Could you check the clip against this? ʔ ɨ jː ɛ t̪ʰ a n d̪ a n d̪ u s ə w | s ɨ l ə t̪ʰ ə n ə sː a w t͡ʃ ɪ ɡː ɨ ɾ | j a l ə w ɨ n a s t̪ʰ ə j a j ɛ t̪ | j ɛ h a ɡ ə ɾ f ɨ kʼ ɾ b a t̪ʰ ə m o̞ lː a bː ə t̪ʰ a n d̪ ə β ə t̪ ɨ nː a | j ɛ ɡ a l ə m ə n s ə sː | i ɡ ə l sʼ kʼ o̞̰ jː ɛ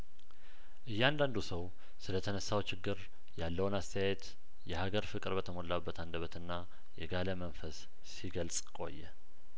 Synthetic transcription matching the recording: ʔ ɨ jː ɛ a n d̪ a n d̪ u s ə w | s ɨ l ə t̪ʰ ə n ə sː a w t͡ʃ ɪ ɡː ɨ ɾ | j a lː ə w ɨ n a s t̪ʰ ə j a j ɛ t̪ | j ɛ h a ɡ ə ɾ f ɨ kʼ ɾ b ə t̪ʰ ə m o̞ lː a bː ə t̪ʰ a n d̪ ə β ə t̪ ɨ nː a | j ɛ ɡ a l ə m ə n f ə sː | i ɡ ə l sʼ kʼ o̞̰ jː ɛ